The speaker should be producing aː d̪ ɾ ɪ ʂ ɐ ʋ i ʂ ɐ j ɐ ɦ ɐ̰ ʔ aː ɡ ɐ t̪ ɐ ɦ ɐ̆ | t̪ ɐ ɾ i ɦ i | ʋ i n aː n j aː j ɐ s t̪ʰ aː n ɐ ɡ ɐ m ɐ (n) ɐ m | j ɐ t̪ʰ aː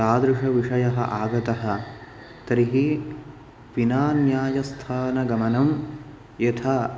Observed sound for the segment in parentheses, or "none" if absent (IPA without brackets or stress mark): n